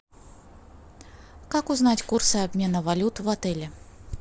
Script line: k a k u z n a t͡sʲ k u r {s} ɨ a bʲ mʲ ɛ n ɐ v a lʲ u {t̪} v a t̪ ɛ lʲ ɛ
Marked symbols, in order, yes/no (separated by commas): yes, yes